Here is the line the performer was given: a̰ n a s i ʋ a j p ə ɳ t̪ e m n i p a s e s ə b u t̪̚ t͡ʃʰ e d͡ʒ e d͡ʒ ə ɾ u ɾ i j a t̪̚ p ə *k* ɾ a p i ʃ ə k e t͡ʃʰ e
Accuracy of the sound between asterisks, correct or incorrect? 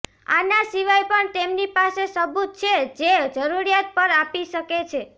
incorrect